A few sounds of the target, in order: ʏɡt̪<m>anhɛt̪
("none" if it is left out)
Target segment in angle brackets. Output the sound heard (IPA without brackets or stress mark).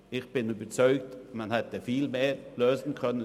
m